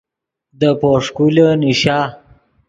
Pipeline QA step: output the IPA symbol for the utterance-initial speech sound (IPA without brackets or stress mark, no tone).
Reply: d̪